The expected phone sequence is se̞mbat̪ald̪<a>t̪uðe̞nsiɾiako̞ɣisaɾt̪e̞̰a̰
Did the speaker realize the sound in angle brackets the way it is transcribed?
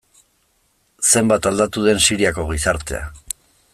yes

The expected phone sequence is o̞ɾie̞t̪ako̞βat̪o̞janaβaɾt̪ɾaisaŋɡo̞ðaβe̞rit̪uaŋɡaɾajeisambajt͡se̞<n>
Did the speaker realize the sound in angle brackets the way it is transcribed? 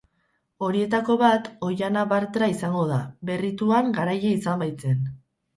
yes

